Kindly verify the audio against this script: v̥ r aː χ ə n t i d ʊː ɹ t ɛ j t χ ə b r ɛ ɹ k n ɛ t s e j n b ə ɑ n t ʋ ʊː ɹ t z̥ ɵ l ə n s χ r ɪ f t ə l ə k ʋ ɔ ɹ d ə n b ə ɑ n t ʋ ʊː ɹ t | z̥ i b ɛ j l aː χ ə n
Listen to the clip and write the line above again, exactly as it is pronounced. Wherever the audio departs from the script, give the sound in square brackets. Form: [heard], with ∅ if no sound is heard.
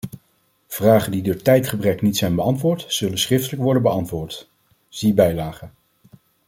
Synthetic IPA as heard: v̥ r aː χ ə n [d] i d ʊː ɹ t ɛ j t χ ə b r ɛ [∅] k n [i] t s [ɛ] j n b ə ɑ n t ʋ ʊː ɹ t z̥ ɵ l ə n s χ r ɪ f t ə l ə k ʋ ɔ ɹ d ə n b ə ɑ n t ʋ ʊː ɹ t | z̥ i b ɛ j l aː χ ə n